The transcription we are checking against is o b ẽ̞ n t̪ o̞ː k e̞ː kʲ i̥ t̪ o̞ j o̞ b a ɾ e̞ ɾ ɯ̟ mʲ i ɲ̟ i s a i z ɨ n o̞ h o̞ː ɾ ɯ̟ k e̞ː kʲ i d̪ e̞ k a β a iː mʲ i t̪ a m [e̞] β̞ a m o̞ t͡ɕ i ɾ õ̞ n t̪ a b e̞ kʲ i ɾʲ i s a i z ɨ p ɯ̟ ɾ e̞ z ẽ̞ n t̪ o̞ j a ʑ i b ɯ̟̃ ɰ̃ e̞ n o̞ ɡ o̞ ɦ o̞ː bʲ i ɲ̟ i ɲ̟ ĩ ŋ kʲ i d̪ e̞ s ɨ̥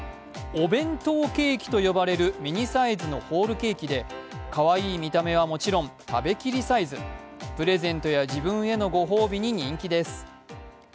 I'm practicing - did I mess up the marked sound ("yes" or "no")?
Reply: no